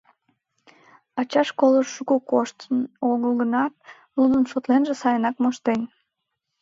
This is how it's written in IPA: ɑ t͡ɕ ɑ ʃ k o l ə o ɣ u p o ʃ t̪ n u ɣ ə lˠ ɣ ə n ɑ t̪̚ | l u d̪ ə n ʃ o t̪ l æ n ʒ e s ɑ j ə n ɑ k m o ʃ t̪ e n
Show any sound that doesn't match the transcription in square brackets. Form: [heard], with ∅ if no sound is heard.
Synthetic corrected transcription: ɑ t͡ɕ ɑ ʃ k o l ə [u] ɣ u [k] o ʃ t̪ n [o] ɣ ə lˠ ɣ ə n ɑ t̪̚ | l u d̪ ə n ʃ o t̪ l [e] n ʒ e s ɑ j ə n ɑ k m o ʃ t̪ e n